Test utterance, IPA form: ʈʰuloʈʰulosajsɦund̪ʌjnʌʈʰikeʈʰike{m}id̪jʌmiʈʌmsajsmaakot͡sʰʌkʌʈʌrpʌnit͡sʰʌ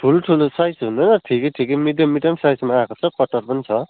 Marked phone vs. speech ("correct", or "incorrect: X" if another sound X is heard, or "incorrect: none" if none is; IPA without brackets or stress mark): correct